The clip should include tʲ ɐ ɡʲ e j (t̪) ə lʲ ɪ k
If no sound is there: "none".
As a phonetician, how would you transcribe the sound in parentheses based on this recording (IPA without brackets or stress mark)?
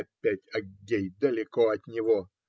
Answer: d̪